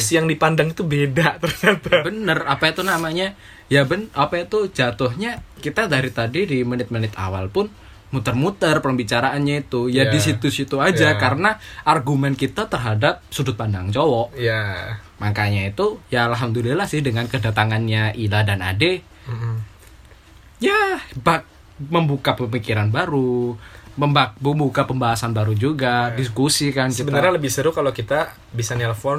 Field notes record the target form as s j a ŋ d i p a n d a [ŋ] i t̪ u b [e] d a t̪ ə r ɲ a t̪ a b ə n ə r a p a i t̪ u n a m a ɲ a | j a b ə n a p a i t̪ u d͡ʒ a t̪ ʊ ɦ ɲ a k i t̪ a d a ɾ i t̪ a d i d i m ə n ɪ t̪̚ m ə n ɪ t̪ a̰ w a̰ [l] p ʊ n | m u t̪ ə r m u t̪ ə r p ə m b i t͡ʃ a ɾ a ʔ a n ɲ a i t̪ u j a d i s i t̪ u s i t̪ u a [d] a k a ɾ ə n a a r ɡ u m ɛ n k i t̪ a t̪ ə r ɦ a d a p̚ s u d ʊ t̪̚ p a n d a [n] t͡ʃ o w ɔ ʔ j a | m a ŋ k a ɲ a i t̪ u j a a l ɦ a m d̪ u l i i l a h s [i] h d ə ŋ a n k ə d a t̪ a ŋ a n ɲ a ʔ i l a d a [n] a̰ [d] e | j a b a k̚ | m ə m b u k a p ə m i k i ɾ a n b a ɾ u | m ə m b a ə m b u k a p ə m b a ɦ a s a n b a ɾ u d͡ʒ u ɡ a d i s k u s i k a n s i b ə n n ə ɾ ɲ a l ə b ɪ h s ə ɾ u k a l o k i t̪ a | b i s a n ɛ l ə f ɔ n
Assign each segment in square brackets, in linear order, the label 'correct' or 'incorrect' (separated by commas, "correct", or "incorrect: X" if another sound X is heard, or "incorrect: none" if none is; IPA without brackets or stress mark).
correct, correct, correct, incorrect: d͡ʒ, incorrect: ŋ, incorrect: ɪ, correct, correct